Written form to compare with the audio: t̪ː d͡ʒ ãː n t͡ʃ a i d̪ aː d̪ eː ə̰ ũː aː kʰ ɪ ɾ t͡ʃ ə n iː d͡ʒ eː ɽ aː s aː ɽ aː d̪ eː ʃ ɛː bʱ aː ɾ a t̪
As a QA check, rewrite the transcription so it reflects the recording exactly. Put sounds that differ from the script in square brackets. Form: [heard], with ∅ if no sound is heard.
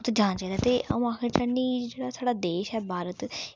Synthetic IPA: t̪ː d͡ʒ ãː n t͡ʃ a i d̪ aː [t̪] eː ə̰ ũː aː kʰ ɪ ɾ t͡ʃ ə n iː d͡ʒ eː ɽ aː s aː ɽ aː d̪ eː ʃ ɛː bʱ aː ɾ [ə] t̪

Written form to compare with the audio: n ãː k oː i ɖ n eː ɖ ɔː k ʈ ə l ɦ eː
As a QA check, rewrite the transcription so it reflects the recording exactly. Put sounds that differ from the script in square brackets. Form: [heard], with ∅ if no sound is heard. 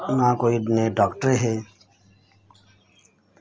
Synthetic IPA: n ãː k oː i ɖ n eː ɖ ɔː k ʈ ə [ɾ] ɦ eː

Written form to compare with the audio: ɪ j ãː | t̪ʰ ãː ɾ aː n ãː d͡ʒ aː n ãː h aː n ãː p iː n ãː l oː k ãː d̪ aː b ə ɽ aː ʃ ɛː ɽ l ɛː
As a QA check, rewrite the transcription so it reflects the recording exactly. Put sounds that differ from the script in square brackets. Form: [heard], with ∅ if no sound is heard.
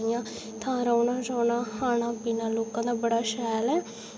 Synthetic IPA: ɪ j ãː | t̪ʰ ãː ɾ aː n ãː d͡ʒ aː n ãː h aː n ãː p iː n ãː l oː k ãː d̪ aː b ə ɽ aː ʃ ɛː [∅] l ɛː

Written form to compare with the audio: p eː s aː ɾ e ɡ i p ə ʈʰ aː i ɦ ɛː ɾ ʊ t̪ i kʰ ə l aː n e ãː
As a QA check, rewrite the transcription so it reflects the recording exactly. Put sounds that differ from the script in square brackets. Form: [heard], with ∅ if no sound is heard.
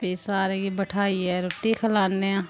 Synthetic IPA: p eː s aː ɾ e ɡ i [b] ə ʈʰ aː i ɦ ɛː ɾ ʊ t̪ i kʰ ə l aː n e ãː

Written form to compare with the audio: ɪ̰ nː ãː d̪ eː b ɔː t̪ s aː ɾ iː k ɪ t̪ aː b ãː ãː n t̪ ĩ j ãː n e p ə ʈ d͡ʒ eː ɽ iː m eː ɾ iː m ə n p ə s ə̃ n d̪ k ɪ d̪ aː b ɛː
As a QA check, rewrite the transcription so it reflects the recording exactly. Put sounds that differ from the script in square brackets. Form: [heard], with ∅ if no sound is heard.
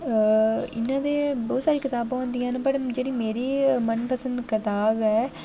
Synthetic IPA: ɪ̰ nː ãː d̪ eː b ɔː t̪ s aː ɾ iː k ɪ t̪ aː b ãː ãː n [d̪] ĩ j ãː n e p ə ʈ d͡ʒ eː ɽ iː m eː ɾ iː m ə n p ə s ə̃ n d̪ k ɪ [t̪] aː b ɛː

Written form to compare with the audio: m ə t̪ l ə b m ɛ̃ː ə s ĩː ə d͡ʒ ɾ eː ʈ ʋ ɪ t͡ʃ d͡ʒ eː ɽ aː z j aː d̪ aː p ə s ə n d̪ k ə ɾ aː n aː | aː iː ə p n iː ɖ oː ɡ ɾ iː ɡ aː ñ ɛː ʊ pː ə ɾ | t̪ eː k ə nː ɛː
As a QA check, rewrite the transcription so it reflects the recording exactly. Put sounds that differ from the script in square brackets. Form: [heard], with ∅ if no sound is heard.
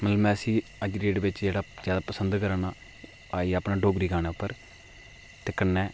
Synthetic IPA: m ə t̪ l ə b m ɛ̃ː ə s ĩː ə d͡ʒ ɾ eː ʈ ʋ ɪ t͡ʃ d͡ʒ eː ɽ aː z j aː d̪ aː p ə s ə n d̪ k ə ɾ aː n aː | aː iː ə p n [aː] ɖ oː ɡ ɾ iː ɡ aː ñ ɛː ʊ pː ə ɾ | t̪ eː k ə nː ɛː

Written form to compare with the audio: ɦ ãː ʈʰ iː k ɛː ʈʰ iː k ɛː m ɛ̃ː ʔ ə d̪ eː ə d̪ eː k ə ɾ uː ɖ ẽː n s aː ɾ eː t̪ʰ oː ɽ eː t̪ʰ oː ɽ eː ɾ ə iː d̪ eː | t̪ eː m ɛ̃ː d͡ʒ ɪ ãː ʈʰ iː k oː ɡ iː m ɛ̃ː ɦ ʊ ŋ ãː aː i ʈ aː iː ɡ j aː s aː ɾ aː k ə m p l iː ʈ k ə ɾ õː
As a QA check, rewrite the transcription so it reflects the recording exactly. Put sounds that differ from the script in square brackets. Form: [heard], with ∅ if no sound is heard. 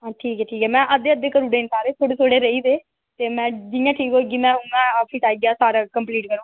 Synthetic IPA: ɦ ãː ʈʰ iː k ɛː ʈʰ iː k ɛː m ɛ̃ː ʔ ə d̪ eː ə d̪ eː k ə ɾ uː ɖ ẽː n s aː ɾ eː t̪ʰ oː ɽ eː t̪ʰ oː ɽ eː ɾ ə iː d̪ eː | t̪ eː m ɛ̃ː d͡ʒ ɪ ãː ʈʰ iː k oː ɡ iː m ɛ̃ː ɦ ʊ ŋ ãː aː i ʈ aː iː ɡ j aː s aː ɾ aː k ə m p l iː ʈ k ə ɾ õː

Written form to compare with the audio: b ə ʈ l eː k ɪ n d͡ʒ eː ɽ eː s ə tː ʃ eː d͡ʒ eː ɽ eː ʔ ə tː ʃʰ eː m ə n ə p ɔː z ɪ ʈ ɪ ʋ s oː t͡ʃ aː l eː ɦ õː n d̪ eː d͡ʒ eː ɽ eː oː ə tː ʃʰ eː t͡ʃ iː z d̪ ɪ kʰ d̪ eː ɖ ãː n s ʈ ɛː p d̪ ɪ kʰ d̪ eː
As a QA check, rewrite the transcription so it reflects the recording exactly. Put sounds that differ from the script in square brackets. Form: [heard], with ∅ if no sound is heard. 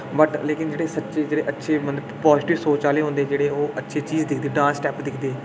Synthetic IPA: b ə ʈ l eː k ɪ n d͡ʒ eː ɽ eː s ə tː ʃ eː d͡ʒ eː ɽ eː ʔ ə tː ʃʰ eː m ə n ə p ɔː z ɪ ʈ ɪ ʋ s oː t͡ʃ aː l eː ɦ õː n d̪ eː d͡ʒ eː ɽ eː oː ə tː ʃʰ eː t͡ʃ iː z d̪ ɪ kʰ d̪ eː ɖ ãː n s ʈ ɛː p d̪ ɪ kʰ d̪ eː

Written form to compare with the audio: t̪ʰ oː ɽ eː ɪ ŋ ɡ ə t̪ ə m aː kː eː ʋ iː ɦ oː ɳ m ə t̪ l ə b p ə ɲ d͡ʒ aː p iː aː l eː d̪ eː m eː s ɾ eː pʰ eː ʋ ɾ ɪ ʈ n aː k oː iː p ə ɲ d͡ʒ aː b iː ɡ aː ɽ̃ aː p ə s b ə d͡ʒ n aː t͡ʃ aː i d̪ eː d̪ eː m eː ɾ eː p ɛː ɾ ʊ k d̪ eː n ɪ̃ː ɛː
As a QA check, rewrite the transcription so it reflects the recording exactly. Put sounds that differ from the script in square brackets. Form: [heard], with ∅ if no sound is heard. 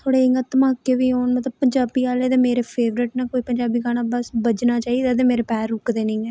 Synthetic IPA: t̪ʰ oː ɽ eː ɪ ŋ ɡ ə t̪ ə m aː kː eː ʋ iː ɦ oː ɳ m ə t̪ l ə b p ə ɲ d͡ʒ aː [b] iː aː l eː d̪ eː m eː [∅] ɾ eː pʰ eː ʋ ɾ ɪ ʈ n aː k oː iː p ə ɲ d͡ʒ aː b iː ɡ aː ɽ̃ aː [b] ə s b ə d͡ʒ n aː t͡ʃ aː i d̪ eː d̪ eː m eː ɾ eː p ɛː ɾ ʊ k d̪ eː n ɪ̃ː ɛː

